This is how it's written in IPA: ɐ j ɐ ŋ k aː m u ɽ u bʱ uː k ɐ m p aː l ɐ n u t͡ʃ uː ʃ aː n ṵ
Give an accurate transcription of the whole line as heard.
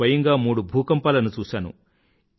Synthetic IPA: ɐ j ɐ ŋ ɡ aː m uː ɽ u bʱ uː k ɐ m p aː l ɐ n u t͡ʃ uː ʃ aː n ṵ